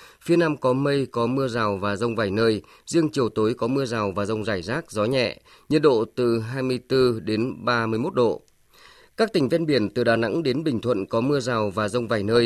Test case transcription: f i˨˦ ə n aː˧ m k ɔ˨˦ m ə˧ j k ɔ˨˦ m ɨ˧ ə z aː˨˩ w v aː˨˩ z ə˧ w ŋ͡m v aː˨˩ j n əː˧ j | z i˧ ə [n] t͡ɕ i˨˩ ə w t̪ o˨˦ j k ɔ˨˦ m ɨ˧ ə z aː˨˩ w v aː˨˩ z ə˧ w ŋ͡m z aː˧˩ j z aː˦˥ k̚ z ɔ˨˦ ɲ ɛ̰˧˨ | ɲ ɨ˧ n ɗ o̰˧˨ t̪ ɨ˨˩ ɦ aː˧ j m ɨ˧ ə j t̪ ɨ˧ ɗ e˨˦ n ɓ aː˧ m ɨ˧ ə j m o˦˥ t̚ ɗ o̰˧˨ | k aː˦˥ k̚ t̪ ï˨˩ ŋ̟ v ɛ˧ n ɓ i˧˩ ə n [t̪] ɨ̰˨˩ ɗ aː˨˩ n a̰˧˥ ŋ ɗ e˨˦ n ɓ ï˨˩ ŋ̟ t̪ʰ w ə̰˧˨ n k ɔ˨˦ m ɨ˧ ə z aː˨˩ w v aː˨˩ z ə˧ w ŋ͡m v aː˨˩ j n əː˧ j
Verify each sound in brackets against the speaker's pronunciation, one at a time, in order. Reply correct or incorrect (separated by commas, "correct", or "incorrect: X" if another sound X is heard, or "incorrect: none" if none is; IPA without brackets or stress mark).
incorrect: ŋ, correct